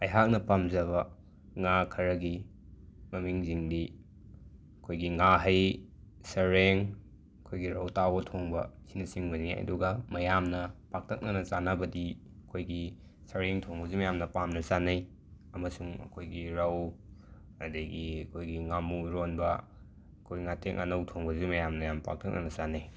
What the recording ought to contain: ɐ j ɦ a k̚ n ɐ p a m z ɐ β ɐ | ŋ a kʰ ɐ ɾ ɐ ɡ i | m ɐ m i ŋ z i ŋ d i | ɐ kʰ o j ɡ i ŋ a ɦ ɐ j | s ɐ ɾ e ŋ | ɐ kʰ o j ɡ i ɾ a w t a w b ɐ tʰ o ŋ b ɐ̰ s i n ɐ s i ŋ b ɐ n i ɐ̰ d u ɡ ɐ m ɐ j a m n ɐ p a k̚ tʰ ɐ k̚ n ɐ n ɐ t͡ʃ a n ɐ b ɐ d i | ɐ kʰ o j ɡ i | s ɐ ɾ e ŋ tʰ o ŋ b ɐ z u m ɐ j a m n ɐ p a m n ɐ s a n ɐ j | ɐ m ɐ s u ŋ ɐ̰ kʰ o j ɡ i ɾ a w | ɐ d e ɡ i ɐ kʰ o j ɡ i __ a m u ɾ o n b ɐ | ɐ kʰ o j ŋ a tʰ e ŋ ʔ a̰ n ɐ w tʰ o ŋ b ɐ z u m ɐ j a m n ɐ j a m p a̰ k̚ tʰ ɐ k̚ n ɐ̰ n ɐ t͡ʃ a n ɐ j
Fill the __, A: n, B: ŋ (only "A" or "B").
B